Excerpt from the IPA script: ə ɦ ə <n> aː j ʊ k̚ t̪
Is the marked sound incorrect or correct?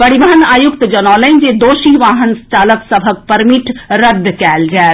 correct